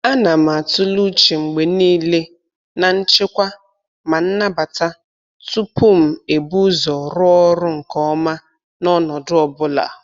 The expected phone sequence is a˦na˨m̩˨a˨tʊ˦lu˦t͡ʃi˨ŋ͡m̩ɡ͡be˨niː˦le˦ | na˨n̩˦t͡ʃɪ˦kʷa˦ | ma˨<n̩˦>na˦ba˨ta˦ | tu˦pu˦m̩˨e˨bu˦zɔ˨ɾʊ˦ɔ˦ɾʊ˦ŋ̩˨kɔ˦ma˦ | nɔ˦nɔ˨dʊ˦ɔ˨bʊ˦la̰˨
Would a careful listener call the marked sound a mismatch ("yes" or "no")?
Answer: no